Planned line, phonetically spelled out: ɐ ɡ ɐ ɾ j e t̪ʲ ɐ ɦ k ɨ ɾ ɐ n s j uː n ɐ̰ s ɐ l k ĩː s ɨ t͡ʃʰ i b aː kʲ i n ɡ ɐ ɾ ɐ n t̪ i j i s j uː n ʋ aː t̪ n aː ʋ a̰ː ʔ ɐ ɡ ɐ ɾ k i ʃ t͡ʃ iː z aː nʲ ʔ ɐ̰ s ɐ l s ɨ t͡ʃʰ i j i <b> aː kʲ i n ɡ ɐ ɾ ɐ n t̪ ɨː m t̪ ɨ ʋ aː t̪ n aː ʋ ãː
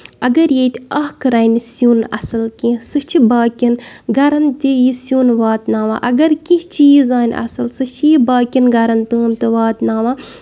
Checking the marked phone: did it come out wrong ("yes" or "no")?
no